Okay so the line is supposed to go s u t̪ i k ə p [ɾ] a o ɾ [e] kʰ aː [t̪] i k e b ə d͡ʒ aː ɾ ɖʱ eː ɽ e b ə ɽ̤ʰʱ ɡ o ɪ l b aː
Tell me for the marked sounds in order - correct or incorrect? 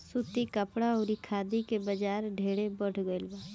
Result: incorrect: ɽ, incorrect: i, incorrect: d̪

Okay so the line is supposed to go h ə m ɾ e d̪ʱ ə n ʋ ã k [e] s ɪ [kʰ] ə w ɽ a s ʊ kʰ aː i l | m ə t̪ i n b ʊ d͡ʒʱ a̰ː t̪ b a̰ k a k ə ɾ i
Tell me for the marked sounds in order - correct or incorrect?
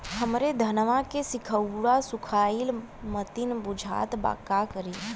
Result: correct, correct

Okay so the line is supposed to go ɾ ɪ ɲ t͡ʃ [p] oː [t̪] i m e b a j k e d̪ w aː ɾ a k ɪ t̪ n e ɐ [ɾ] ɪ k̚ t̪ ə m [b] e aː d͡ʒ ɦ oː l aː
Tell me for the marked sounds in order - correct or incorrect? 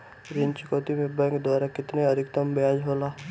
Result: incorrect: k, correct, correct, correct

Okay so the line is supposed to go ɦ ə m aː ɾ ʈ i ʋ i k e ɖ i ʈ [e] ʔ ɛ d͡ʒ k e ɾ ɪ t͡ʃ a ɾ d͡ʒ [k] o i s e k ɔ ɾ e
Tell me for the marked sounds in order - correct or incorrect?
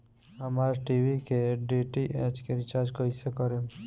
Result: incorrect: i, correct

